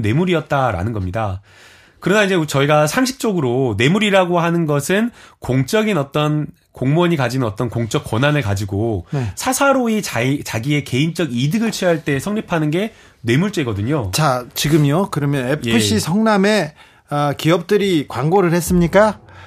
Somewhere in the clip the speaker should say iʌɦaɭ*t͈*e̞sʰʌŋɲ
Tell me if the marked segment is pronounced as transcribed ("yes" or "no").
yes